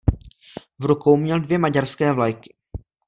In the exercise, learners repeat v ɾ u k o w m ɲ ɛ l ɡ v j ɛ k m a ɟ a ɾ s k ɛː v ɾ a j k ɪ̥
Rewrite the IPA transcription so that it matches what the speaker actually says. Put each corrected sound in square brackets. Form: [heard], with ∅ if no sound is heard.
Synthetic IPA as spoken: v ɾ u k o w m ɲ ɛ l [d] v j ɛ [∅] m a ɟ a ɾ s k ɛː v [l] a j k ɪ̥